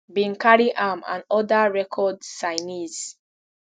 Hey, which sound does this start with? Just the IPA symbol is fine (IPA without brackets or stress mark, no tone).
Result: b